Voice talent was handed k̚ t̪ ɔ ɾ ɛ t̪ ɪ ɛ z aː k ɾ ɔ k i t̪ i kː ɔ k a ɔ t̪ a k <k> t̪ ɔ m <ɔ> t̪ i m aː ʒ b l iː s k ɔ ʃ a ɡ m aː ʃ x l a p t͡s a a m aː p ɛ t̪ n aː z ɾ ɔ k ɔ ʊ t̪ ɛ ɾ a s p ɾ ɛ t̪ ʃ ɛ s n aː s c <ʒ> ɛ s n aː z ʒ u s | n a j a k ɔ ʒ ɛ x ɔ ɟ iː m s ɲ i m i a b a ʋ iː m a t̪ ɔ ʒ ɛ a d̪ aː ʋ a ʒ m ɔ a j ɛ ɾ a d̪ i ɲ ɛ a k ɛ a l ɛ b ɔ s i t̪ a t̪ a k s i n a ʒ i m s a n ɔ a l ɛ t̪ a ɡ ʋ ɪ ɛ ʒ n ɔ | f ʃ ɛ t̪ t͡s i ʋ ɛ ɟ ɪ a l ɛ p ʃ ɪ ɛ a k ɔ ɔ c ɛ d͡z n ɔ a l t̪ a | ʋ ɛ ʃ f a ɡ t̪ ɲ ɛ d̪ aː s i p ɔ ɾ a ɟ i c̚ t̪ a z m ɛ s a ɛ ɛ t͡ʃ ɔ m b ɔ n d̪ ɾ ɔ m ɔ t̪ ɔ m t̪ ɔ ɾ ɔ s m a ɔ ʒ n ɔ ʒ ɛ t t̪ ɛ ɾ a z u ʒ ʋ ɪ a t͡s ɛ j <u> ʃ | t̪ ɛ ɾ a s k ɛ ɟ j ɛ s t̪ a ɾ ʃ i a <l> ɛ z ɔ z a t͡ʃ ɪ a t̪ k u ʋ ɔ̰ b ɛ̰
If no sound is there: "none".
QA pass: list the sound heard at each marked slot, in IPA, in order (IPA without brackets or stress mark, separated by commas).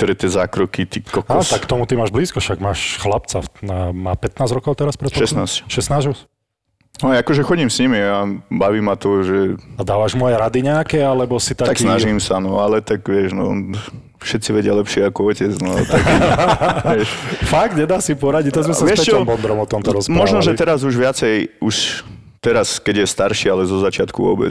k, u, ʃ, u, l